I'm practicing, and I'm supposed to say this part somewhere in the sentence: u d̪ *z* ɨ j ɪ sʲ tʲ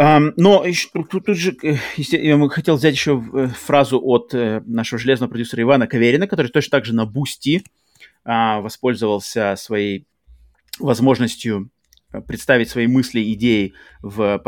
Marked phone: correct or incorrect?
incorrect